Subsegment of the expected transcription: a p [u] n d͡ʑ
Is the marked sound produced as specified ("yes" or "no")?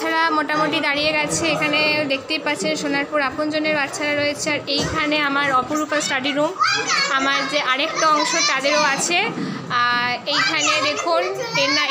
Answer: no